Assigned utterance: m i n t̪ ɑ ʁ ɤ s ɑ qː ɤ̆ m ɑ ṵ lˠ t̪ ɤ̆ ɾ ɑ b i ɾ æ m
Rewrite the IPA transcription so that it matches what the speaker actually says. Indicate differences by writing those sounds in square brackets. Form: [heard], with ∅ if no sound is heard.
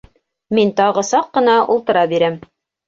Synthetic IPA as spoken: m i n t̪ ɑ ʁ ɤ s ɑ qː ɤ̆ [n] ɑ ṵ lˠ t̪ ɤ̆ ɾ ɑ b i ɾ æ m